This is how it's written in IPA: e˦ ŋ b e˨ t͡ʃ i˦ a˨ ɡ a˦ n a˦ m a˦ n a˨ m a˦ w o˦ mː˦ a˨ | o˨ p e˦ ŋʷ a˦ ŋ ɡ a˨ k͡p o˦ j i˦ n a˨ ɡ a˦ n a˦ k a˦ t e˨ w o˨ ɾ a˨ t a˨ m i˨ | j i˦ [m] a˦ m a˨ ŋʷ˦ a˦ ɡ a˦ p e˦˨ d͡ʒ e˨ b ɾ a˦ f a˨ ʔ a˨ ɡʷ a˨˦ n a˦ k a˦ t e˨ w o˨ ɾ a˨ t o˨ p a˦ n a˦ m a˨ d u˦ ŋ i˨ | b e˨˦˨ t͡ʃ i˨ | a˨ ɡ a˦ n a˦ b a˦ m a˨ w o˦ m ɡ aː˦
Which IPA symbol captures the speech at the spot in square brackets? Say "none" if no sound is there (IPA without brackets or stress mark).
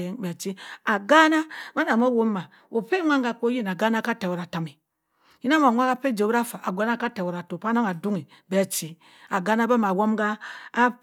n